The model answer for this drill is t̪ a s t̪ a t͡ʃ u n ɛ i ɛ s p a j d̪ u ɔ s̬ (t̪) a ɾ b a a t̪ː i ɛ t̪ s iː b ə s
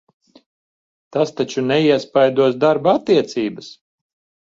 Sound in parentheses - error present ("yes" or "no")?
yes